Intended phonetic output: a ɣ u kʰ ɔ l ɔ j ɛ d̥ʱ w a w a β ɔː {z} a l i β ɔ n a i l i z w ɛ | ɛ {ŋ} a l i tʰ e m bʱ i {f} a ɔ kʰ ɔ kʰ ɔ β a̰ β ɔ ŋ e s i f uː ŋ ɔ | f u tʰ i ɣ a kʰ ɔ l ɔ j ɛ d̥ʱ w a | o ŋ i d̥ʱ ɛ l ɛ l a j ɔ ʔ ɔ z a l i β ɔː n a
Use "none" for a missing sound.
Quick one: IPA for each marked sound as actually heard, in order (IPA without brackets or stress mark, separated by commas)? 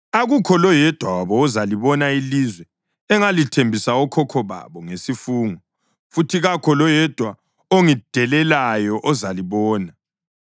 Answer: z, ŋ, s